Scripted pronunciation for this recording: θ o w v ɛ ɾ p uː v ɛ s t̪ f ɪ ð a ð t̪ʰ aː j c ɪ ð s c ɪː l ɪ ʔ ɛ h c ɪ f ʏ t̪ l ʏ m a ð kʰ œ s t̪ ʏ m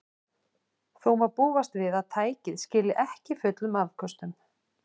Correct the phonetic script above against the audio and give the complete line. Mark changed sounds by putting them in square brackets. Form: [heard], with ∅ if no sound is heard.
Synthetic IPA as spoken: θ o w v [a] ɾ p uː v [a] s t̪ [v] ɪ ð a ð t̪ʰ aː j c ɪ ð s c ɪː l ɪ ʔ ɛ h c ɪ f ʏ t̪ l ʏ m a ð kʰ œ s t̪ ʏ m